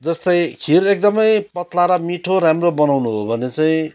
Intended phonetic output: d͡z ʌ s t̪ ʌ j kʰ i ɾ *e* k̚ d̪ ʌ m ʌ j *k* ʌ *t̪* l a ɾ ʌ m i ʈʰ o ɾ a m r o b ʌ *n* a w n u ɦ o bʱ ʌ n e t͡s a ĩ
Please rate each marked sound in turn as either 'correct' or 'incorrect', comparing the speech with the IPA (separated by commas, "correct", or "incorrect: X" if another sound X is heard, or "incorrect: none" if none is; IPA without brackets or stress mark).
correct, incorrect: p, correct, correct